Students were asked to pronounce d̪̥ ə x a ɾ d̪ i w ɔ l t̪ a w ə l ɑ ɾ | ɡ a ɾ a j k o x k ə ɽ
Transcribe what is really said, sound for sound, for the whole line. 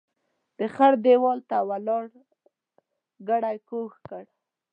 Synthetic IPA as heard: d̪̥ ə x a ɾ d̪ e w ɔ l t̪ a w a l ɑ ɽ | ɡ a ɽ a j k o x k ə ɽ